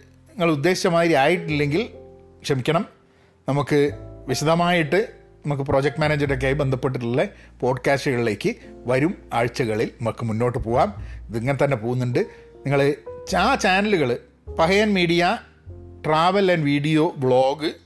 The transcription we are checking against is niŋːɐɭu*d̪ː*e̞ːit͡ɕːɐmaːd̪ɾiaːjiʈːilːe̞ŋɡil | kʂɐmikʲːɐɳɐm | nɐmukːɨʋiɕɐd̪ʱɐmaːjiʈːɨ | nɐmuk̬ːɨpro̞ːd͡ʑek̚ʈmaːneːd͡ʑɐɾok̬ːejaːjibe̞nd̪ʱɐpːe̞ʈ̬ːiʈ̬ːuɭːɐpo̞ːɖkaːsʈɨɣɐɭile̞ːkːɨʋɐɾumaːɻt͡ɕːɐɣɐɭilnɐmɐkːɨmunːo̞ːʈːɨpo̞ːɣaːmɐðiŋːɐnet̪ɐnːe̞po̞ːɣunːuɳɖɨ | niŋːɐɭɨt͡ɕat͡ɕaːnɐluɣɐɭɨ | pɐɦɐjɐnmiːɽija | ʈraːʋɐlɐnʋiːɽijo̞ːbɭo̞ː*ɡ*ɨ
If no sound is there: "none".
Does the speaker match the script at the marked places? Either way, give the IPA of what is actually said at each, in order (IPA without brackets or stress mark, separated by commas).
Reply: d̪ː, ɡ